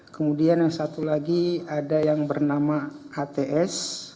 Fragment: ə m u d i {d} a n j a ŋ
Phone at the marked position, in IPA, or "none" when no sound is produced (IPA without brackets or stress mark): none